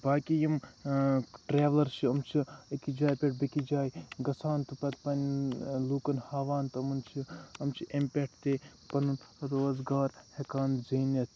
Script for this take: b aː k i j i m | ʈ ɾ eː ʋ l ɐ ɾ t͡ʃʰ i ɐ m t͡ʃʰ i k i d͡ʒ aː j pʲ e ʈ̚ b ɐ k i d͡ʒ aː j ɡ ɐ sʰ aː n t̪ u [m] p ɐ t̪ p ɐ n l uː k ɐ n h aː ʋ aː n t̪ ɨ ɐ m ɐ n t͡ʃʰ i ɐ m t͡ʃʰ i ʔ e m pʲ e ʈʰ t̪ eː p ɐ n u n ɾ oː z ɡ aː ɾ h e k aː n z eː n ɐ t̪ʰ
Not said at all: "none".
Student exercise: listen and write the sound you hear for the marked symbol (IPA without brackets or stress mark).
none